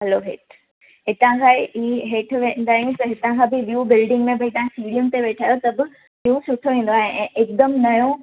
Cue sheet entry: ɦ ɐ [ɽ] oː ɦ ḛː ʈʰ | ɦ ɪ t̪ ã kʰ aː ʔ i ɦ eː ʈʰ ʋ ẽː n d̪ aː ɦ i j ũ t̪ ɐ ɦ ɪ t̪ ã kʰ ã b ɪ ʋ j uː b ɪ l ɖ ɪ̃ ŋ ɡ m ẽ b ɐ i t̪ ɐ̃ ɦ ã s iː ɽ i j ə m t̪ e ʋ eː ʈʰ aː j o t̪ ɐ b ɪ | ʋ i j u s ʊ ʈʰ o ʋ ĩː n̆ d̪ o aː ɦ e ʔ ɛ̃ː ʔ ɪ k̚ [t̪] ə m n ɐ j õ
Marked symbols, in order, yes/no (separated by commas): no, no